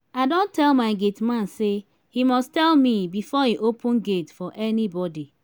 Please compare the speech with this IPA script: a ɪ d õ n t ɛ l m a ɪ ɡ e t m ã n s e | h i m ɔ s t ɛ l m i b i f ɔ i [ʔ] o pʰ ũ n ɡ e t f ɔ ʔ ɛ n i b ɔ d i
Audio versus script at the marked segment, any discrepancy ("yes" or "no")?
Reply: no